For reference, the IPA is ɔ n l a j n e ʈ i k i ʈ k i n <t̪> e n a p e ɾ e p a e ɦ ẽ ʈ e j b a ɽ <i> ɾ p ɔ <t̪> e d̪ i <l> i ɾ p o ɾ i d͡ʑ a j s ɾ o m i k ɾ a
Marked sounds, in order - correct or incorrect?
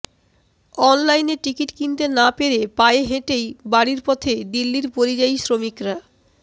correct, correct, incorrect, incorrect

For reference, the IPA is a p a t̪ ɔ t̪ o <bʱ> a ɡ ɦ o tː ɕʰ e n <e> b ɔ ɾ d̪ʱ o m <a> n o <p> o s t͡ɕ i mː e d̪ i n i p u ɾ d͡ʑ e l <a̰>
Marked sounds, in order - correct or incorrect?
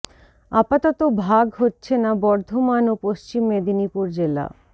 correct, incorrect, correct, correct, correct

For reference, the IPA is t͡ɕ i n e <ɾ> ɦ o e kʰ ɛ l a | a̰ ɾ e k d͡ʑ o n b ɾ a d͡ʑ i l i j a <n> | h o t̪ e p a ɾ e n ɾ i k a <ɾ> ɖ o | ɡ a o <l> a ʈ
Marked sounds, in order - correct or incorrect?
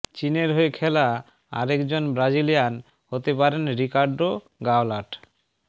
correct, correct, correct, correct

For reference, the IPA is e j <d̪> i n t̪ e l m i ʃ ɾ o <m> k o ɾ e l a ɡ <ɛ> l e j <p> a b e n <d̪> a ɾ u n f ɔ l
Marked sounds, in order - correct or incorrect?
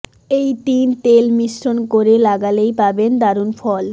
incorrect, incorrect, incorrect, correct, correct

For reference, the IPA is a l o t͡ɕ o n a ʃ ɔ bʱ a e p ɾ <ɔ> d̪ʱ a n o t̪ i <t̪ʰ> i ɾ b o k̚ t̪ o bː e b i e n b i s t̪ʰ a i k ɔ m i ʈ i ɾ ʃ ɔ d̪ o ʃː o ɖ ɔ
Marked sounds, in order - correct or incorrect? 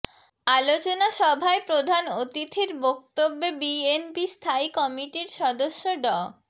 incorrect, correct

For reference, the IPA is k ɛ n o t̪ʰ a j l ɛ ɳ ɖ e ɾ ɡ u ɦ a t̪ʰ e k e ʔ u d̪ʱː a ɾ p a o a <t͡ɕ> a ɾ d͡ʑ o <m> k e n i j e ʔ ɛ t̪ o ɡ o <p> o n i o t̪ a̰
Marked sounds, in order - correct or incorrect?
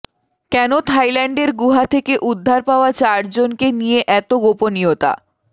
correct, incorrect, correct

